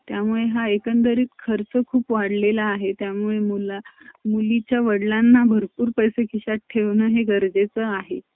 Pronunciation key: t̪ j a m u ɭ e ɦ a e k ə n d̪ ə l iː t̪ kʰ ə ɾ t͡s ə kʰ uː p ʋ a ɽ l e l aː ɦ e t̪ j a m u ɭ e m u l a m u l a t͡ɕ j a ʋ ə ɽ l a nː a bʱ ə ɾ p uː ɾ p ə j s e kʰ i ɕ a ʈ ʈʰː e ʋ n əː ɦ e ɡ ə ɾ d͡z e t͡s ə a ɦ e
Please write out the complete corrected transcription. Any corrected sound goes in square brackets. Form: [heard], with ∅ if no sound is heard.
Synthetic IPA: t̪ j a m u ɭ e ɦ a e k ə n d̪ ə [ɾ] iː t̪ kʰ ə ɾ t͡s ə kʰ uː p ʋ a ɽ l e l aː ɦ e t̪ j a m u ɭ e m u l a m u l [i] t͡ɕ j a ʋ ə ɽ l a nː a bʱ ə ɾ p uː ɾ p ə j s e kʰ i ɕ a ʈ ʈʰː e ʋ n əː ɦ e ɡ ə ɾ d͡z e t͡s ə a ɦ e